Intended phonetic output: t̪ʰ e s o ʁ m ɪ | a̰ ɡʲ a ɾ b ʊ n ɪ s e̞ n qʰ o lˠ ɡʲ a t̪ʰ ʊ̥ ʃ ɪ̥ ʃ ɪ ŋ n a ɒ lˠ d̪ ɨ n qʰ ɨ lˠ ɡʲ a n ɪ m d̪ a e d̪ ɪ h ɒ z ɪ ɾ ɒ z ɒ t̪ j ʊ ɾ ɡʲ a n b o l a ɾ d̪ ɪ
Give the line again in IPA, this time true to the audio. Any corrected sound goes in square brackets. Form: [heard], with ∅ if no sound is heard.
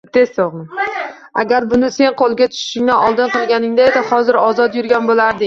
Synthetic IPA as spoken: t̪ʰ e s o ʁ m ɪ | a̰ ɡʲ a ɾ b ʊ n ɪ s e̞ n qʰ o lˠ ɡʲ a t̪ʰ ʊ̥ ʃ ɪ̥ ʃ ɪ ŋ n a ɒ lˠ d̪ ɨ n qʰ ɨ lˠ ɡʲ a n ɪ [ŋ] d̪ a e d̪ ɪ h ɒ z ɪ ɾ ɒ z ɒ t̪ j ʊ ɾ ɡʲ a n b o l a ɾ d̪ ɪ